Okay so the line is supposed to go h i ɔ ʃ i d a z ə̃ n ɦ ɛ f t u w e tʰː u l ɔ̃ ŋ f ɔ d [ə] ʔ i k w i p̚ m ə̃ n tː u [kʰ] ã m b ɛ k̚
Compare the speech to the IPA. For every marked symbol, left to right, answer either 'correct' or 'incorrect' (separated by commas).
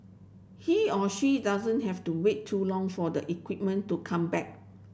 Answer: correct, correct